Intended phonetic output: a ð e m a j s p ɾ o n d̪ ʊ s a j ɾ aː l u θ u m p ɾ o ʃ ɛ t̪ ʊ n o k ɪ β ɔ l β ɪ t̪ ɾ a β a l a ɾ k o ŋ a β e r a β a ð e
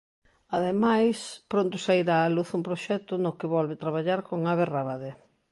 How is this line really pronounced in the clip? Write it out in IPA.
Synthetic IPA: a ð e m a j s p ɾ o n t̪ ʊ s a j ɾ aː l u θ u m p ɾ o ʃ ɛ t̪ ʊ n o k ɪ β ɔ l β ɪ t̪ ɾ a β a ʎ a ɾ k o ŋ a β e r a β a ð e